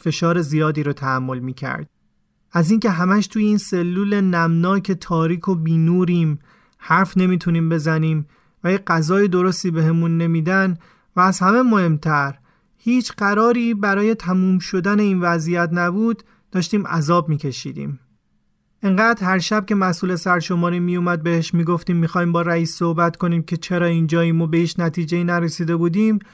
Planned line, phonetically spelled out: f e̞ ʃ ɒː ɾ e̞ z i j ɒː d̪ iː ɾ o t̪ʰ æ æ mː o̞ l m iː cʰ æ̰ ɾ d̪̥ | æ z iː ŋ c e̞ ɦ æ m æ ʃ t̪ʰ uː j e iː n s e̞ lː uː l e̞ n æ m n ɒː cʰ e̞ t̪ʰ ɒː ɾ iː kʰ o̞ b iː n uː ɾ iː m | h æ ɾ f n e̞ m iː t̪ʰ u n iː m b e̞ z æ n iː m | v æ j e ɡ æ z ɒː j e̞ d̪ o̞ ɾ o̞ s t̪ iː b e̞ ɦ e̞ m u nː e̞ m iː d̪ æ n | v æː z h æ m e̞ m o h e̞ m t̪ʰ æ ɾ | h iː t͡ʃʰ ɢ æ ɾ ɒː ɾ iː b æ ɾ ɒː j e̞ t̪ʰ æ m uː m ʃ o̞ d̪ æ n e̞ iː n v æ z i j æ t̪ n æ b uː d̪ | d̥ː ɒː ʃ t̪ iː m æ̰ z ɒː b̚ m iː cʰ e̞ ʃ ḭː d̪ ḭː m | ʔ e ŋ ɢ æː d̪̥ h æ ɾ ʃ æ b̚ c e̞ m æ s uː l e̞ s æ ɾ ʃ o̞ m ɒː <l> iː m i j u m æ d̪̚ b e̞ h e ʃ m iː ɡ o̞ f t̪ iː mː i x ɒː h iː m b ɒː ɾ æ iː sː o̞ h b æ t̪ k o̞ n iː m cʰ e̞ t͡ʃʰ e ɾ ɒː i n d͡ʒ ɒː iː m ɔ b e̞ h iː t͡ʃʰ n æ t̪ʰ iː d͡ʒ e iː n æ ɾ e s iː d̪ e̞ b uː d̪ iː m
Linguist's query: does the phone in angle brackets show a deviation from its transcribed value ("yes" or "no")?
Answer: yes